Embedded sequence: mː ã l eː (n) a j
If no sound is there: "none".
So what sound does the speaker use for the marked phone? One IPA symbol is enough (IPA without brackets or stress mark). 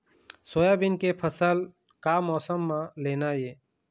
n